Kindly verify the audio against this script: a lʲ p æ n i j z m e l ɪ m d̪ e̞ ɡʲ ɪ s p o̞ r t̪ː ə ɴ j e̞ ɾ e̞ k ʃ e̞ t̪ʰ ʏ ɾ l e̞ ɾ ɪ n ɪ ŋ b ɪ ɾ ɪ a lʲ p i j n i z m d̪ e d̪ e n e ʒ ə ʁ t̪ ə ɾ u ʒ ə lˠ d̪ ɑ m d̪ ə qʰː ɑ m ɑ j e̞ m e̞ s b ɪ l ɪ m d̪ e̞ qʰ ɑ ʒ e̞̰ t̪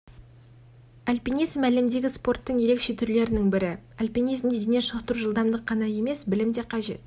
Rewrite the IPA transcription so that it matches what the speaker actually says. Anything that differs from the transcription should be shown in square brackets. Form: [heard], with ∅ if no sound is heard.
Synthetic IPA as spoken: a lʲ p [i] n i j z m [æ] l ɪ m d̪ e̞ ɡʲ ɪ s p o̞ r t̪ː ə ɴ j e̞ ɾ e̞ k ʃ e̞ t̪ʰ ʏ ɾ l e̞ ɾ ɪ n ɪ ŋ b ɪ ɾ ɪ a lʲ p i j n i z m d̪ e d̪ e n e [ʃ] ə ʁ t̪ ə ɾ u ʒ ə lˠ d̪ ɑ m d̪ ə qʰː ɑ [n] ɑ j e̞ m e̞ s b ɪ l ɪ m d̪ e̞ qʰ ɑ ʒ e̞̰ t̪